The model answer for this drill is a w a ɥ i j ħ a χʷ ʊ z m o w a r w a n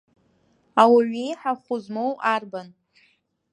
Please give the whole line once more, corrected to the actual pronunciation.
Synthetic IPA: a w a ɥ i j ħ a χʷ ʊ z m o w a r b a n